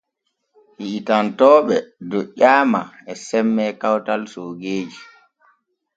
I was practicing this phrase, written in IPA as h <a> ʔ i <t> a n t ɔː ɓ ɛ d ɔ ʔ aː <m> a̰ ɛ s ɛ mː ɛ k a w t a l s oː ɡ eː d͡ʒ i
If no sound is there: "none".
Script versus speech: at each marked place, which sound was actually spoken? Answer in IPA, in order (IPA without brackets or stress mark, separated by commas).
i, t, m